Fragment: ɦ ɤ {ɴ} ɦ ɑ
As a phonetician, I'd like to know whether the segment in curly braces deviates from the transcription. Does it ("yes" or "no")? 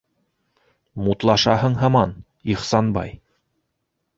no